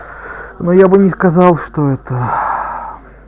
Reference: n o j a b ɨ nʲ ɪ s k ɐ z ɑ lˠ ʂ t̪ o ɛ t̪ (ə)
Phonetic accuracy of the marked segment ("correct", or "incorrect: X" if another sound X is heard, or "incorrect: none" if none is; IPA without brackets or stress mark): correct